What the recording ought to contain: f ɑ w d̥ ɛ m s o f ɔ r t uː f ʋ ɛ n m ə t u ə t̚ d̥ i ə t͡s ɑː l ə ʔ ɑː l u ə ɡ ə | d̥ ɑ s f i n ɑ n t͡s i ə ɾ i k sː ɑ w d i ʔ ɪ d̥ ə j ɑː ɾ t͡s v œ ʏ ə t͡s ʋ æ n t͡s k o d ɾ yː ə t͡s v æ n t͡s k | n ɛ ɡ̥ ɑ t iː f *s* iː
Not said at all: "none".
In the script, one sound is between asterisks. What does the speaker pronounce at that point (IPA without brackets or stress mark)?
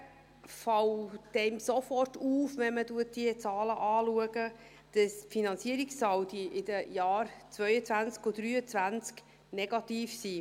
s